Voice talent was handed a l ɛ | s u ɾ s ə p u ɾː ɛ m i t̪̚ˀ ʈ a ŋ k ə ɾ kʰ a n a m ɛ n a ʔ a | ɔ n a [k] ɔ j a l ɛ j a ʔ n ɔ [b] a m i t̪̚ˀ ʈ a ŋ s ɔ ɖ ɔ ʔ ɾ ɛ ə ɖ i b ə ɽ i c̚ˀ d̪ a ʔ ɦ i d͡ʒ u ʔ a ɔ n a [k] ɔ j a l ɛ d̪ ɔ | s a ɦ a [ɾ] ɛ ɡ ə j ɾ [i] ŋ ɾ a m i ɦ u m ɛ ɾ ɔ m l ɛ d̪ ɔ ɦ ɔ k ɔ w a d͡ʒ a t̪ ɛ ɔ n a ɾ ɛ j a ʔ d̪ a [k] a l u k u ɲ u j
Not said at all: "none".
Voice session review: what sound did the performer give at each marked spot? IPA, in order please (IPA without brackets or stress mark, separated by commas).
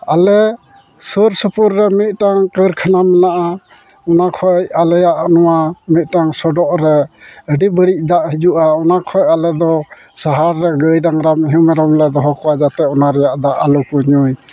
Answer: kʰ, w, kʰ, ɾː, a, ʔ